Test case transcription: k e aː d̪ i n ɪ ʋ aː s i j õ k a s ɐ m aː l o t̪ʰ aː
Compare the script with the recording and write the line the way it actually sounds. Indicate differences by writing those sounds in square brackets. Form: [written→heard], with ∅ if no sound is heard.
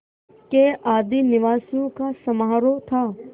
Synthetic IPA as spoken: k e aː d̪ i n ɪ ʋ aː s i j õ k a s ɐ m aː [l→ɾ] o t̪ʰ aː